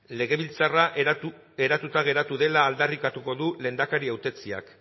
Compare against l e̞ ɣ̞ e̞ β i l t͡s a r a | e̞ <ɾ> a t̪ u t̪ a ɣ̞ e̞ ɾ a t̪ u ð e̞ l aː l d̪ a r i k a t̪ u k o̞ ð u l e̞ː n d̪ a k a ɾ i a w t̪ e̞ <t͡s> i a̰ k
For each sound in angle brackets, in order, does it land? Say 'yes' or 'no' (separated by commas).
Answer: yes, yes